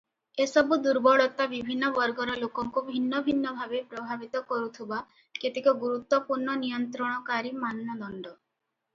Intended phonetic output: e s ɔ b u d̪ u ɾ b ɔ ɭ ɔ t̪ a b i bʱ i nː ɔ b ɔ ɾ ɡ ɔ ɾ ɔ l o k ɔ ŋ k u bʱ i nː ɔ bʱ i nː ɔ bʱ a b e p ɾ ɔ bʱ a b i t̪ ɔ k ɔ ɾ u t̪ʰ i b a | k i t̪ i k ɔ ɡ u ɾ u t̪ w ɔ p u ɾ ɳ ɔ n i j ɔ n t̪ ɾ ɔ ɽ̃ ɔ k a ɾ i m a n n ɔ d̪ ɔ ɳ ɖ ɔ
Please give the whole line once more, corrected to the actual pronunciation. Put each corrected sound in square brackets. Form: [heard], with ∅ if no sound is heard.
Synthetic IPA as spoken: e s ɔ b u d̪ u ɾ b ɔ ɭ ɔ t̪ a b i bʱ i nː ɔ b ɔ ɾ ɡ ɔ ɾ ɔ l o k ɔ ŋ k u bʱ i nː ɔ bʱ i nː ɔ bʱ a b e p ɾ ɔ bʱ a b i t̪ ɔ k ɔ ɾ u t̪ʰ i b a | k [e] t̪ i k ɔ ɡ u ɾ u t̪ w ɔ p u ɾ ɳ ɔ n i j ɔ n t̪ ɾ ɔ ɽ̃ ɔ k a ɾ i m a n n ɔ d̪ ɔ ɳ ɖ ɔ

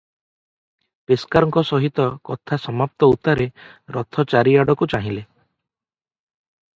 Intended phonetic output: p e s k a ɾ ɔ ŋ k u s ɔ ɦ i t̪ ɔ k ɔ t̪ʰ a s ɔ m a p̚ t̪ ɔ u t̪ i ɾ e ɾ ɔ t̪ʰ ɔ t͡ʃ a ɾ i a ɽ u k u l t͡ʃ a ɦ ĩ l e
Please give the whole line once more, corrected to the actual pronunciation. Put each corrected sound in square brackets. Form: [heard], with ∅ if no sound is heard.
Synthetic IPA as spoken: p e s k a ɾ ɔ ŋ k [ɔ] s ɔ ɦ i t̪ ɔ k ɔ t̪ʰ a s ɔ m a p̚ t̪ ɔ u t̪ [a] ɾ e ɾ ɔ t̪ʰ ɔ t͡ʃ a ɾ i a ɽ [ɔ] k u [∅] t͡ʃ a ɦ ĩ l e

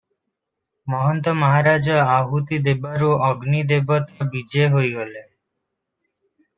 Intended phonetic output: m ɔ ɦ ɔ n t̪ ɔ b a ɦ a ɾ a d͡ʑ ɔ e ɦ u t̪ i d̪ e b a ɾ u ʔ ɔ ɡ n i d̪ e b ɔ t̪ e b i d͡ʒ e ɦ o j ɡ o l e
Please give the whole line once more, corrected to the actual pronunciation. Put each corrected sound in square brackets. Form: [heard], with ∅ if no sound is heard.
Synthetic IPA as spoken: m ɔ ɦ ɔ n t̪ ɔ [m] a ɦ a ɾ a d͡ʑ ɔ [a] ɦ u t̪ i d̪ e b a ɾ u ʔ ɔ ɡ n i d̪ e b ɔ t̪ [a] b i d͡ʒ e ɦ o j ɡ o l e

